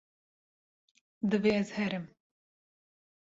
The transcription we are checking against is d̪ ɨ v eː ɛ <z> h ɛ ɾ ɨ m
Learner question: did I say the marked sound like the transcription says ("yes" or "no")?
yes